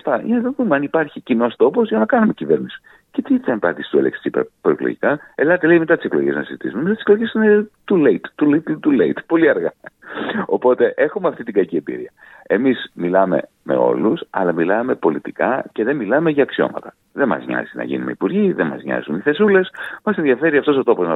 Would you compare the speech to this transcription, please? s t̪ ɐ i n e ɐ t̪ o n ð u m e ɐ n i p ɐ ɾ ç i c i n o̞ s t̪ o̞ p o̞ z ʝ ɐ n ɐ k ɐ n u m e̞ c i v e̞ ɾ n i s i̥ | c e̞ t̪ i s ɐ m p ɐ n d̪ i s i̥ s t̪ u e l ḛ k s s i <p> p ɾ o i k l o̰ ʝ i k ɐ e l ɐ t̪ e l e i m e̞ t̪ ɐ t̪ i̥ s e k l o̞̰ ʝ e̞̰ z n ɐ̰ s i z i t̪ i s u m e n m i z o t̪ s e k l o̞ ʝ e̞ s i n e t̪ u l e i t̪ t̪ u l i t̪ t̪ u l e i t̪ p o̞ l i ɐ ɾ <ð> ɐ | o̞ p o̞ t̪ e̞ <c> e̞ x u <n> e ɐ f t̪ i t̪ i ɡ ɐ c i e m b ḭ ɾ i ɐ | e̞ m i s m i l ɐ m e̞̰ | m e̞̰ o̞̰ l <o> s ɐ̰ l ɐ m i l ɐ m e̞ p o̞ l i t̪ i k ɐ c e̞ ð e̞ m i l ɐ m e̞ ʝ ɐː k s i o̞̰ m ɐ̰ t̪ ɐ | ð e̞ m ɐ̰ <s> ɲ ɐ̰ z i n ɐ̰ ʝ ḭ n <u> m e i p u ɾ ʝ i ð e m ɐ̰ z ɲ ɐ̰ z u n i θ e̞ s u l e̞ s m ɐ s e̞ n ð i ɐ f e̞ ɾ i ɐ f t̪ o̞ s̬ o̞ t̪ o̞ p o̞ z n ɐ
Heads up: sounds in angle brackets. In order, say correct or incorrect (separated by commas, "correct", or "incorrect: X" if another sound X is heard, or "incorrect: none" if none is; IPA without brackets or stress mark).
correct, incorrect: ɣ, incorrect: ʔ, incorrect: m, incorrect: u, incorrect: z, correct